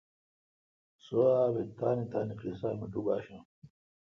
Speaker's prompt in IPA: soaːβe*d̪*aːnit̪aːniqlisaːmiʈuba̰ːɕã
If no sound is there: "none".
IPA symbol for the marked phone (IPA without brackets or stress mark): t̪